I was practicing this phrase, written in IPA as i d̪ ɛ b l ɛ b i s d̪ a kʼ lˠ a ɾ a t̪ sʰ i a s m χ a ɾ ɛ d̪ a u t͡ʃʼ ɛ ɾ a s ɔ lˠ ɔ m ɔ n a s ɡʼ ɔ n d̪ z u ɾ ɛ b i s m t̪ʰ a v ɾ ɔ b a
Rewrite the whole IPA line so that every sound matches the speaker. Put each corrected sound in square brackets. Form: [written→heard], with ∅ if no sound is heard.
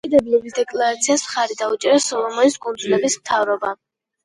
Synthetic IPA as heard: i d̪ ɛ b l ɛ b i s d̪ [a→ɛ] kʼ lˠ a ɾ a t̪ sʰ i a s m χ a ɾ [ɛ→i] d̪ a u t͡ʃʼ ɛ ɾ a s ɔ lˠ ɔ m ɔ n [a→i] s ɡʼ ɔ n d̪ z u [ɾ→l] ɛ b i s m t̪ʰ a v ɾ ɔ b a